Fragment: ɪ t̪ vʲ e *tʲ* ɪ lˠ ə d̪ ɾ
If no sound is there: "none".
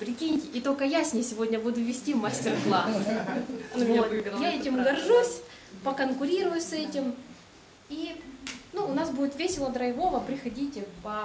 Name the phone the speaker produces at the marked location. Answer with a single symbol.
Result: sʲ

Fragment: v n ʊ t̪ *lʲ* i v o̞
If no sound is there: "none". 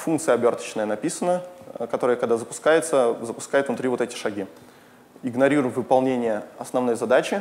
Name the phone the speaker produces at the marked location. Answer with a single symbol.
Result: ɾʲ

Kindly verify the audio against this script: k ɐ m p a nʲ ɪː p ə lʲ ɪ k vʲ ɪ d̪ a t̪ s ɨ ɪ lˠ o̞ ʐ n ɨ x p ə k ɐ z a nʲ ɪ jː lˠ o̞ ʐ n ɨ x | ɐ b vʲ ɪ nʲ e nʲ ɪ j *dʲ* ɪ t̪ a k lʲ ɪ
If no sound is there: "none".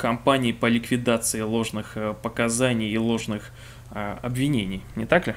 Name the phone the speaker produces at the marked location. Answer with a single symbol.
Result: nʲ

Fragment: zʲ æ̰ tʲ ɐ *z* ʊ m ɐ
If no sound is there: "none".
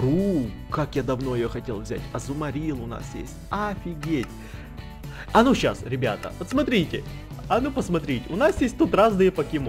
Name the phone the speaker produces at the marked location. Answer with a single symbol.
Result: z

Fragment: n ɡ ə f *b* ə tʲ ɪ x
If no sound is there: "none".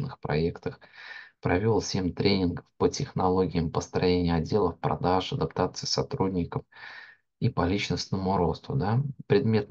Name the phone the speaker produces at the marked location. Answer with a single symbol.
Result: p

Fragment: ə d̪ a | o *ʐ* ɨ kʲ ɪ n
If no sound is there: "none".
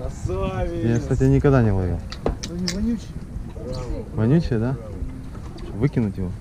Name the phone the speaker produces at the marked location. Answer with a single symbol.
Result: v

